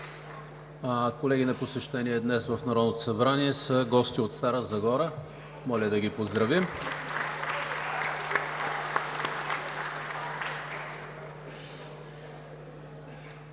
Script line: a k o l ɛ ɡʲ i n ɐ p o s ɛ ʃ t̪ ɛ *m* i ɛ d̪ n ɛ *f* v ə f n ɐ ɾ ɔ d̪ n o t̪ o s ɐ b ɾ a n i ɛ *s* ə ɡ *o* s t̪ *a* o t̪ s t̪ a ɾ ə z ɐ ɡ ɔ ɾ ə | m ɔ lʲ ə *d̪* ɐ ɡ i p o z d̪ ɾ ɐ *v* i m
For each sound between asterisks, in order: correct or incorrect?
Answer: incorrect: n, incorrect: s, correct, incorrect: ɔ, incorrect: i, correct, correct

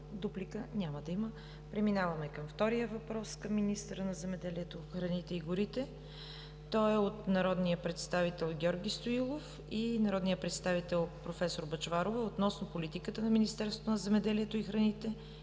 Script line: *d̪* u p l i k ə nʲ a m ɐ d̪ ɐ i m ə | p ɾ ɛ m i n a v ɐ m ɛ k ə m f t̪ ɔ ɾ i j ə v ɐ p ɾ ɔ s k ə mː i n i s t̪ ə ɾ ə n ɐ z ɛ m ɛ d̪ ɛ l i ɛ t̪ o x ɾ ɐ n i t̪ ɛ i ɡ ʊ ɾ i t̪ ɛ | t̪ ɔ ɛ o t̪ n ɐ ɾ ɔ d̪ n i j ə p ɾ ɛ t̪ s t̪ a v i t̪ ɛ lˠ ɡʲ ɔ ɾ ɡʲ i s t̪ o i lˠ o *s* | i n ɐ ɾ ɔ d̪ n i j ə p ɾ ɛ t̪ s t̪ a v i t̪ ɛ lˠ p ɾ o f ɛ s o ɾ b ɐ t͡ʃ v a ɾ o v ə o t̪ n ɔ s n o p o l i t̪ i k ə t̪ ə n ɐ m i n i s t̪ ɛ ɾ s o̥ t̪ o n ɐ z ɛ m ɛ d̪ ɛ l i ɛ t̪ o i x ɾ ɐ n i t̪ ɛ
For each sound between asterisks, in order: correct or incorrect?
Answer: correct, incorrect: f

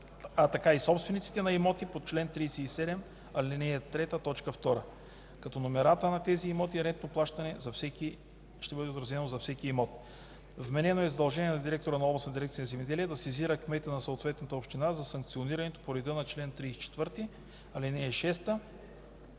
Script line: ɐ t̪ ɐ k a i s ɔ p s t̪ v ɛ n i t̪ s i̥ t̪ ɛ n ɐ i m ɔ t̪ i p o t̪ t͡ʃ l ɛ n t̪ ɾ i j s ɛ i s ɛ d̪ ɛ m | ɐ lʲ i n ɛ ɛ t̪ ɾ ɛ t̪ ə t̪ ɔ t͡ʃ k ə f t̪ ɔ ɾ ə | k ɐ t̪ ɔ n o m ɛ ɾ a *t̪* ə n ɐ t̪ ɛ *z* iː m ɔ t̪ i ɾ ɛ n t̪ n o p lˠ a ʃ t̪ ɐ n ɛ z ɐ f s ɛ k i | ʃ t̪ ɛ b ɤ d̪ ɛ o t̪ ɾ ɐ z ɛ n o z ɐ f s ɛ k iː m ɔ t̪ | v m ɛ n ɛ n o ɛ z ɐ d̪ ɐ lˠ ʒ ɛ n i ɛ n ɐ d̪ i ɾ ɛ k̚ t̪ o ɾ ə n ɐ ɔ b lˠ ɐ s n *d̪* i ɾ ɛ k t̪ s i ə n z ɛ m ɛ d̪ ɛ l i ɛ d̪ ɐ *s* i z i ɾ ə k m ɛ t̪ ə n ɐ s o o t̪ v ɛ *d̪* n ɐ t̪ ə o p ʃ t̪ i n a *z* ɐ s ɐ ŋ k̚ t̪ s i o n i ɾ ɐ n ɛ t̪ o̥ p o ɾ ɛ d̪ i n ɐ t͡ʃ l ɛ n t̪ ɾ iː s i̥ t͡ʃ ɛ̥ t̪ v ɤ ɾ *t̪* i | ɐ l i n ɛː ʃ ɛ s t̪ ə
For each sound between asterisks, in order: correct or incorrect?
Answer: correct, correct, correct, correct, incorrect: t̪, correct, correct

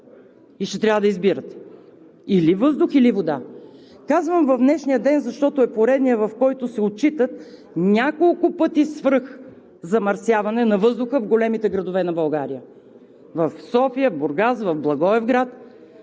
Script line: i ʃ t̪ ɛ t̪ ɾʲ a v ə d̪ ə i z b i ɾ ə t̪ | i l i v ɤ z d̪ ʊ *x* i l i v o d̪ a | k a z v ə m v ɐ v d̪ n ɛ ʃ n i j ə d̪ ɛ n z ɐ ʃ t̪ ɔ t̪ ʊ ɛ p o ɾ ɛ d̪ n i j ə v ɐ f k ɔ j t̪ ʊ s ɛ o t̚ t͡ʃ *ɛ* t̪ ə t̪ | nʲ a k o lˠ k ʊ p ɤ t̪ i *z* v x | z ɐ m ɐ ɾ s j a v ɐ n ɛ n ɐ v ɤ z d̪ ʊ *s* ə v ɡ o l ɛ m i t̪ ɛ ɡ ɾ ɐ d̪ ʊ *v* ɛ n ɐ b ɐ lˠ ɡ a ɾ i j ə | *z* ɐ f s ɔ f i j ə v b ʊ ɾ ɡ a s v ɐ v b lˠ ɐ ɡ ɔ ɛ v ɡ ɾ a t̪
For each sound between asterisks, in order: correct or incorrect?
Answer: correct, incorrect: i, incorrect: s, incorrect: x, correct, incorrect: v

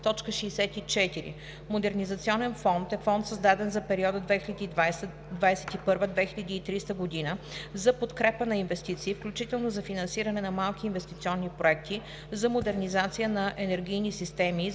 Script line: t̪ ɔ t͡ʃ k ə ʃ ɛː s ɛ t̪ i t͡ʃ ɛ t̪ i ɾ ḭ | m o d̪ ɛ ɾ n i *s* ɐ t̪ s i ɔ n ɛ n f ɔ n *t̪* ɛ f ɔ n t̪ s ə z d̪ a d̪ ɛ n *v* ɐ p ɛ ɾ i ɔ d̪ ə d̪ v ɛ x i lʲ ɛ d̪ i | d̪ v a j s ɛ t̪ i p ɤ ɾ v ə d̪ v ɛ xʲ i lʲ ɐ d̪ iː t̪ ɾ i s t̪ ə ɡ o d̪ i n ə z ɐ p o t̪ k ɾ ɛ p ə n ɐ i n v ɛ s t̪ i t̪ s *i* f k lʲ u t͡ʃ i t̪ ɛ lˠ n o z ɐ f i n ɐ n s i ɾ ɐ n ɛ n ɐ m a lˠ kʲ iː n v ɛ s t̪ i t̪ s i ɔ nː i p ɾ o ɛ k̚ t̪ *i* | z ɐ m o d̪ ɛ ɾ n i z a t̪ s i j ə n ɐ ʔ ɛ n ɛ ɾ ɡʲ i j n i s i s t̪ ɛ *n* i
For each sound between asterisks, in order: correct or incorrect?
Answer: incorrect: z, correct, incorrect: z, incorrect: iː, correct, incorrect: m

